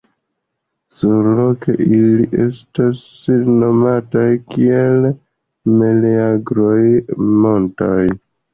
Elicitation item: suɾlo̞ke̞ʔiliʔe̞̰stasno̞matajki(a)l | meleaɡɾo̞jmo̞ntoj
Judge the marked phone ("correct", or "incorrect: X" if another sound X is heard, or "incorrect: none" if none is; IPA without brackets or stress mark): incorrect: e